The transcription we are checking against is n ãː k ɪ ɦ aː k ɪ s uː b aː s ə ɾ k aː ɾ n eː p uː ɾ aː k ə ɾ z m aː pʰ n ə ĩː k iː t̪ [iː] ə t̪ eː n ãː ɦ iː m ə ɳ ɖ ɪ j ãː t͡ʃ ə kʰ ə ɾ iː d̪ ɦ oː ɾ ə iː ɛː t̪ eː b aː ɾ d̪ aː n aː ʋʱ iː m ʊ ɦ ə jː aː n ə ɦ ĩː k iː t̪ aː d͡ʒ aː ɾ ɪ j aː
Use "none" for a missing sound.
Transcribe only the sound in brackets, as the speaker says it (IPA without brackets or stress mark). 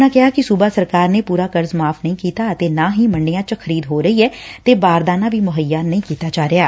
aː